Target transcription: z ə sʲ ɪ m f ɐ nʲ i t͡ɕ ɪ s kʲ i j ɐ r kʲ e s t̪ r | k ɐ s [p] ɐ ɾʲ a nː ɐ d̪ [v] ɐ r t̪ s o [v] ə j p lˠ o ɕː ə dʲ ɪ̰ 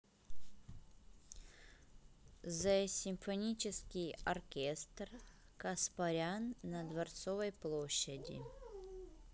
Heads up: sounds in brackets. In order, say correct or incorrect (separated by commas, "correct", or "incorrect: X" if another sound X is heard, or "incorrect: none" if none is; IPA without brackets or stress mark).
correct, correct, correct